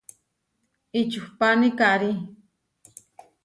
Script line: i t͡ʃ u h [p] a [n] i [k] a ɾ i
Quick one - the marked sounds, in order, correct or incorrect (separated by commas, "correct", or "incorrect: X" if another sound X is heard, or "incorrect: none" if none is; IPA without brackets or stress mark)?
correct, correct, correct